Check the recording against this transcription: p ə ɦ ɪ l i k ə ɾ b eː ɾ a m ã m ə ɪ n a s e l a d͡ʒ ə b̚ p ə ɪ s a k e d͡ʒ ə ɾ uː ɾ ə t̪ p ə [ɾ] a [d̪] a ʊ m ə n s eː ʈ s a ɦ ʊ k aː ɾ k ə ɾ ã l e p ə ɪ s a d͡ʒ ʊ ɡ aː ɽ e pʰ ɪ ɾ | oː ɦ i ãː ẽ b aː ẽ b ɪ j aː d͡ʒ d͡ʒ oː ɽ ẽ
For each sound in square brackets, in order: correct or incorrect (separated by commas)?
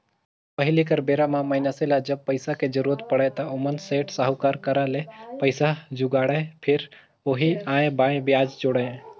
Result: incorrect, incorrect